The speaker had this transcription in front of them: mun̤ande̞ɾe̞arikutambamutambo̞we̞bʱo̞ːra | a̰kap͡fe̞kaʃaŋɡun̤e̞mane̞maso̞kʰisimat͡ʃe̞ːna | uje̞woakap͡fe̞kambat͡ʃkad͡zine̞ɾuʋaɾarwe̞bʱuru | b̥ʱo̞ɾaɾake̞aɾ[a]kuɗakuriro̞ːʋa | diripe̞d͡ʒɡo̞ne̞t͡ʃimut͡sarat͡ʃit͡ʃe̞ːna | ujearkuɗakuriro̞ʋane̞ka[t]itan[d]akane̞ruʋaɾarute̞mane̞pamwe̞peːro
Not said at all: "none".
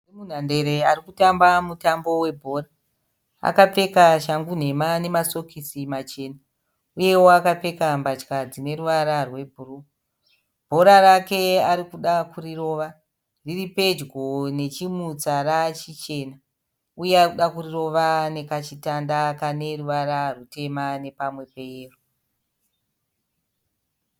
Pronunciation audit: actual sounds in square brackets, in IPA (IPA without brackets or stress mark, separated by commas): i, t͡ʃ, d